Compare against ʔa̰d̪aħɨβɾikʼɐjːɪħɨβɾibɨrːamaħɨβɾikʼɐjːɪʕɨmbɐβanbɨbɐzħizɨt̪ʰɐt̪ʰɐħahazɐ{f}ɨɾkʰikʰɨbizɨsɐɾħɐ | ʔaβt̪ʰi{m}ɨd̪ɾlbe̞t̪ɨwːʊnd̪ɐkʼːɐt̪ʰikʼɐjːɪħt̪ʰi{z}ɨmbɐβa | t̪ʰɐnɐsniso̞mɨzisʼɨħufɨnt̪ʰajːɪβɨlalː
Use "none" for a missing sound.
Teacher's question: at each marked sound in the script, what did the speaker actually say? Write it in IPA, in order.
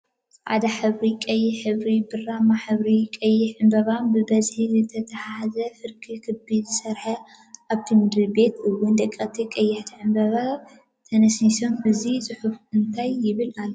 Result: f, m, ʕ

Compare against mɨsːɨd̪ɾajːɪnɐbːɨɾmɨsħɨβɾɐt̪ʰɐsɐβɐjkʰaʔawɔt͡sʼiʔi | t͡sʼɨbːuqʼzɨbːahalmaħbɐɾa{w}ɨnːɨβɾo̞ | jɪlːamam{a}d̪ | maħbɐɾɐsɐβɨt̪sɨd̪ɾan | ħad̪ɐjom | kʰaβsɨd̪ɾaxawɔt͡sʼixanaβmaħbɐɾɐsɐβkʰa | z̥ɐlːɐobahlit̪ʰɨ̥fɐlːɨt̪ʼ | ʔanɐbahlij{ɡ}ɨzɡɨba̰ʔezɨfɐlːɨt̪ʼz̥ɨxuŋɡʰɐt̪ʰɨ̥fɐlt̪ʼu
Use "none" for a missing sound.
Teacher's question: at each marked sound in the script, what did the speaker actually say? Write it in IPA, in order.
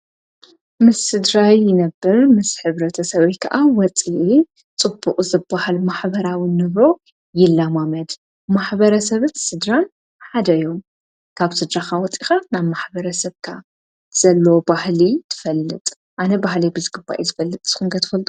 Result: w, ɐ, b

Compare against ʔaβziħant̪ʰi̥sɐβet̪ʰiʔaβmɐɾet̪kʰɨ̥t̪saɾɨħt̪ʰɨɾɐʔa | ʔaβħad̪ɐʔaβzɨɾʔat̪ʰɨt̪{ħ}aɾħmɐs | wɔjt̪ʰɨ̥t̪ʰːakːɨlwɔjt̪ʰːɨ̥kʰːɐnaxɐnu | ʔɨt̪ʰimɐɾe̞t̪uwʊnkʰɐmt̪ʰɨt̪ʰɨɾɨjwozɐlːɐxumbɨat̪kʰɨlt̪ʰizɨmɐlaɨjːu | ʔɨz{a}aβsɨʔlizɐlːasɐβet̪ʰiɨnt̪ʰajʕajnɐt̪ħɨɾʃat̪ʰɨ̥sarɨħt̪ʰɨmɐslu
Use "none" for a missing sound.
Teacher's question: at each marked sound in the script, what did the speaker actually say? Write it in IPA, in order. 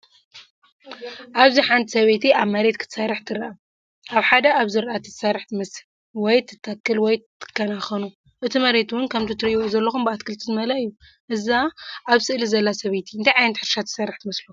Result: s, a

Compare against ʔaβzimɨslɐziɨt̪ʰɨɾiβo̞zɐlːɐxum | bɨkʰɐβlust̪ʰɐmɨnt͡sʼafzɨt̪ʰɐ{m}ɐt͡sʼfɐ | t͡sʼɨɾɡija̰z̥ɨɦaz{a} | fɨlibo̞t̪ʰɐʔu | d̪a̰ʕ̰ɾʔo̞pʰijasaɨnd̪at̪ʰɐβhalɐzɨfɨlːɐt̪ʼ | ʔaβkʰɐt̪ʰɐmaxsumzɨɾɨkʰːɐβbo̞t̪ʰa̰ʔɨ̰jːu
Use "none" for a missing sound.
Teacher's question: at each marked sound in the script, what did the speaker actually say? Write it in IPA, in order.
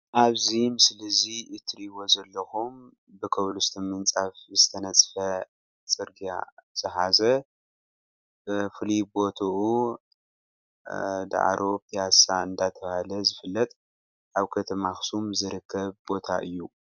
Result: n, ɐ

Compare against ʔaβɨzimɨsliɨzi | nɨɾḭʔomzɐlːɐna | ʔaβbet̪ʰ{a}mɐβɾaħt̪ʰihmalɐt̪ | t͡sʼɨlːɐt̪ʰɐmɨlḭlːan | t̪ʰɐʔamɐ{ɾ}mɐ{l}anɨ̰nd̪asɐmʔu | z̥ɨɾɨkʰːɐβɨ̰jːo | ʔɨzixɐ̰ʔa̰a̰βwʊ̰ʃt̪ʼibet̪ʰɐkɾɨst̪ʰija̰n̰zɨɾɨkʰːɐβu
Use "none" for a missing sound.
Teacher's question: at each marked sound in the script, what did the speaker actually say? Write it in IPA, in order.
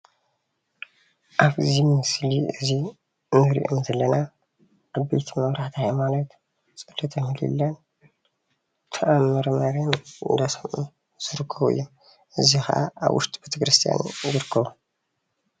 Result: i, ɾ, ɾ

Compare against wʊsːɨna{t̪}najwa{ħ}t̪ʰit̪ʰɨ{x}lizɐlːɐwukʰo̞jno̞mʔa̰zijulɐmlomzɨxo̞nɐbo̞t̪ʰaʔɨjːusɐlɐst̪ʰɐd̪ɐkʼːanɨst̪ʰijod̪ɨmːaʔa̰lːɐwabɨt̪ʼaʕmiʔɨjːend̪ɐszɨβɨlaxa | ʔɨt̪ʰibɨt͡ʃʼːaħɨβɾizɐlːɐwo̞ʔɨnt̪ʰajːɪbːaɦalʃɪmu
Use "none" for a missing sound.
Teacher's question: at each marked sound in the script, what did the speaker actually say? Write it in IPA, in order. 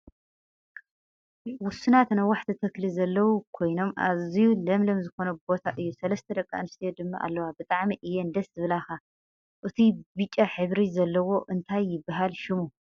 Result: t̪, ħ, k

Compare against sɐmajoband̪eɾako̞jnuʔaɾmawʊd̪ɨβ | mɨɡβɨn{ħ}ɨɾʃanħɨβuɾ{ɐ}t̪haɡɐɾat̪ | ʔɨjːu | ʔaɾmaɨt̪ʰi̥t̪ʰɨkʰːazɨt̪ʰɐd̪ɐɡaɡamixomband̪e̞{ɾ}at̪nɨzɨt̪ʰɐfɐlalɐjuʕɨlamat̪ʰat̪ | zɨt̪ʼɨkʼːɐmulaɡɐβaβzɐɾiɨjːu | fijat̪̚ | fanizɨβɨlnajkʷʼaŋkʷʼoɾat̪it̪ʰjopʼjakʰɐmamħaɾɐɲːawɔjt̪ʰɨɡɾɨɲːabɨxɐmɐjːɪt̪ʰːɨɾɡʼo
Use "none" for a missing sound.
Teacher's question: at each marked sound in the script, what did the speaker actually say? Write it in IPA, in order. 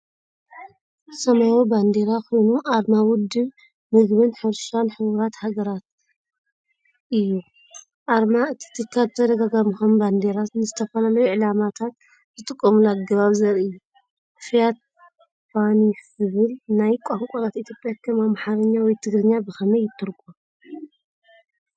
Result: ħ, a, ɾ

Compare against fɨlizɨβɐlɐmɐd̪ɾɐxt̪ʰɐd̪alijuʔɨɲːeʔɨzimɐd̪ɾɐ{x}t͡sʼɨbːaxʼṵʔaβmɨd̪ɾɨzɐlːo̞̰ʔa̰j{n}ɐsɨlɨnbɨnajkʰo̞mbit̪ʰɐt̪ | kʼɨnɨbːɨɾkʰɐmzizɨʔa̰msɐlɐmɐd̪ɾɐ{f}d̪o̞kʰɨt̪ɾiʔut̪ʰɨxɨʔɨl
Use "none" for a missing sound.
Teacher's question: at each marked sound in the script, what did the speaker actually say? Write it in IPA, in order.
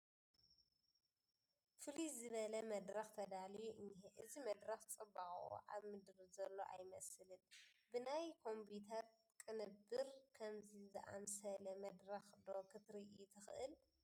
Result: x, m, x

